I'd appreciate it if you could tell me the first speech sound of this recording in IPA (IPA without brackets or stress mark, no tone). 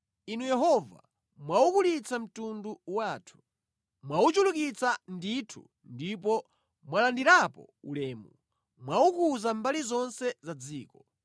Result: i